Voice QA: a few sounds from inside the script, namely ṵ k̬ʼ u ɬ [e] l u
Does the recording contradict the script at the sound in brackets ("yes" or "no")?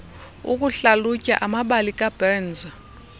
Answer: yes